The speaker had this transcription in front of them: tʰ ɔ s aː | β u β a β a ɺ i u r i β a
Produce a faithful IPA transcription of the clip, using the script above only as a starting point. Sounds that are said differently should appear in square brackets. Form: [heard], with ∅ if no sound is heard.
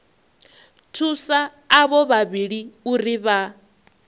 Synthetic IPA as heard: tʰ [u] s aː | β [ɔ] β a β [i] ɺ i u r i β a